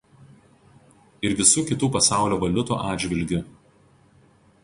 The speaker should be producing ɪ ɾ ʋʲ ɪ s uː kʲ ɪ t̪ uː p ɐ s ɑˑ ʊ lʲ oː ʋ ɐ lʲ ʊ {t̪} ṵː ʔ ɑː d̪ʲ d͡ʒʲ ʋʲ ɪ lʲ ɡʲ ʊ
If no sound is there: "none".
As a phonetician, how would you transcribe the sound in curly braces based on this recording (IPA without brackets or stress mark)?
t̪